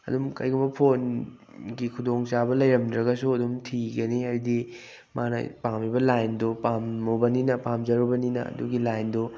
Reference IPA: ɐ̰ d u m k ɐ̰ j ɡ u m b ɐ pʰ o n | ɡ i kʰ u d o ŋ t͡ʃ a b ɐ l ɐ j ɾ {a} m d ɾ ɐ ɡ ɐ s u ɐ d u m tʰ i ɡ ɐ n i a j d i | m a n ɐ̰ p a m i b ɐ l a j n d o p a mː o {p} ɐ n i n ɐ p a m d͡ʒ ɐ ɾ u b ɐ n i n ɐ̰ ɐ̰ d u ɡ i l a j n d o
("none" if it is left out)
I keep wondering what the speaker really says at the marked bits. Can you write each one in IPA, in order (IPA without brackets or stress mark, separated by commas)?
ɐ, b